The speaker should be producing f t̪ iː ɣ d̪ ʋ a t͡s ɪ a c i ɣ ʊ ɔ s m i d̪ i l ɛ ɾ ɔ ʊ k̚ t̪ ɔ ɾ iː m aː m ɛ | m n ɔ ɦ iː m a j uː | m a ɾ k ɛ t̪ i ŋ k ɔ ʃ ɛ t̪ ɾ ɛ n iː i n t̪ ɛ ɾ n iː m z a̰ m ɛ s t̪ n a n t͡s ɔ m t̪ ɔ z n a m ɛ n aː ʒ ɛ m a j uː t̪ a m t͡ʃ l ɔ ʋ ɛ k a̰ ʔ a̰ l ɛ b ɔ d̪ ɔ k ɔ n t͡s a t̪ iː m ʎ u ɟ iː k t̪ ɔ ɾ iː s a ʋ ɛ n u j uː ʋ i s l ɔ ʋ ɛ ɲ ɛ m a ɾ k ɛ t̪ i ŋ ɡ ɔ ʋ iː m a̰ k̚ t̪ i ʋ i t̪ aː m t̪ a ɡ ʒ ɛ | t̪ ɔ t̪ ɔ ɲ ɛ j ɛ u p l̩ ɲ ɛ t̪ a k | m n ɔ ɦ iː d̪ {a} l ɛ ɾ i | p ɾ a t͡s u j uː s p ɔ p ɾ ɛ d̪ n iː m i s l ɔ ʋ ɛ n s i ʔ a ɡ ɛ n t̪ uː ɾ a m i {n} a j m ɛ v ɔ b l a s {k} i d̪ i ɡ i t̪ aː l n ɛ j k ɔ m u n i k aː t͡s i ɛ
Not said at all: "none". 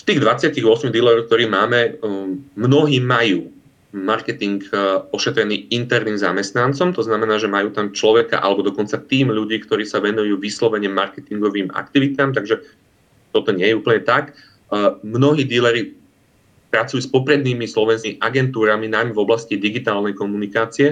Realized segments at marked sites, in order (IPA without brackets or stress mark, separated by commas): i, n, c